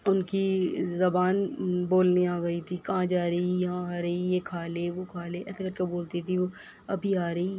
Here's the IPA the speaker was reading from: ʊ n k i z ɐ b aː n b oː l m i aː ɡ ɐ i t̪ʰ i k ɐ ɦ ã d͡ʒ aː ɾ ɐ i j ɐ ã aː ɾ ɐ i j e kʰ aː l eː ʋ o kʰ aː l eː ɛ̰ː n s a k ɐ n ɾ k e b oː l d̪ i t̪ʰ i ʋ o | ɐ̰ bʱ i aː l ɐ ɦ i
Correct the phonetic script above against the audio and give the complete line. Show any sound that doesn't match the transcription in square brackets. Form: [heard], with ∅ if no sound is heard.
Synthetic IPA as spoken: ʊ n k i z ɐ b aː n b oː l [n] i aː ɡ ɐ i t̪ʰ i k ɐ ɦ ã d͡ʒ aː ɾ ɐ i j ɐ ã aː ɾ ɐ i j e kʰ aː l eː ʋ o kʰ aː l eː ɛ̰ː [∅] s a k ɐ [∅] ɾ k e b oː l [t̪] i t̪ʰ i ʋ o | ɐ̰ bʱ i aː [ɾ] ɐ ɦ i